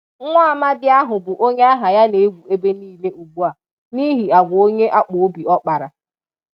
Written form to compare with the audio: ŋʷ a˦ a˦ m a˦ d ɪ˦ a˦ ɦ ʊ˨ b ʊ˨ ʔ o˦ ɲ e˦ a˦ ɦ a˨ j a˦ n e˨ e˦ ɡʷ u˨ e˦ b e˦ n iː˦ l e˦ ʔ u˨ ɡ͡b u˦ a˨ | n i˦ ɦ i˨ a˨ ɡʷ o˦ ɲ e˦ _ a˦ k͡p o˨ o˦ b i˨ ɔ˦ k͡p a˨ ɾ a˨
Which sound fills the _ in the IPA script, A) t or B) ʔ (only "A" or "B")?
B